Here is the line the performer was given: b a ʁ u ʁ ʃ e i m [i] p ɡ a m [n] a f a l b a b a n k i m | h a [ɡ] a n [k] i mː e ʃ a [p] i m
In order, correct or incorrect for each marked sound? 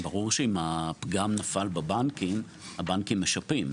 incorrect: a, correct, incorrect: b, correct, correct

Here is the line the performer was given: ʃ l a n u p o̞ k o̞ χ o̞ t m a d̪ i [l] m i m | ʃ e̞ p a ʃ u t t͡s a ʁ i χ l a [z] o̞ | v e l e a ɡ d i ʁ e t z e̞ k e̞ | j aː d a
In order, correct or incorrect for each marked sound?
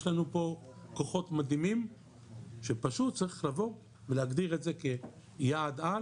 incorrect: none, incorrect: v

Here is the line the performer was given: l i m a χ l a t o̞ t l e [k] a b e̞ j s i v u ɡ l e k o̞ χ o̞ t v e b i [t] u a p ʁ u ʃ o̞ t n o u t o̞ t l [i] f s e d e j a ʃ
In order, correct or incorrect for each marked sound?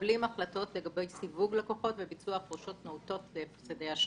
incorrect: ɡ, incorrect: t͡s, incorrect: e

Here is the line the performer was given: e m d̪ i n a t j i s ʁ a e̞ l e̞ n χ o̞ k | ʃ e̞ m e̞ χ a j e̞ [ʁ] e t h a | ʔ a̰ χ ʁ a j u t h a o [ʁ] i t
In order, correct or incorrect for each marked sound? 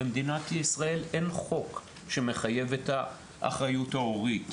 incorrect: v, correct

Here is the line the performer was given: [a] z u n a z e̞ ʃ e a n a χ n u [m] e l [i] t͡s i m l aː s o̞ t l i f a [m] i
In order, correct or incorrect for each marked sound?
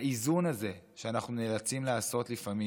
incorrect: i, incorrect: n, incorrect: a, correct

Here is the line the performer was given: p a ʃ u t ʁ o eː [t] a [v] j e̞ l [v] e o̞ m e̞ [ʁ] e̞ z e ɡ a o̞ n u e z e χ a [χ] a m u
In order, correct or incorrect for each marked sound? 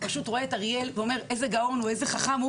correct, incorrect: ʁ, correct, correct, correct

